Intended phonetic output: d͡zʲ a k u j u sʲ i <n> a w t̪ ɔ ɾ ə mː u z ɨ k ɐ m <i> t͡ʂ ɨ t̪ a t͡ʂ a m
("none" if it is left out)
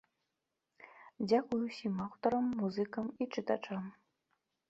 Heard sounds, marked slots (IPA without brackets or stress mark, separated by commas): m, i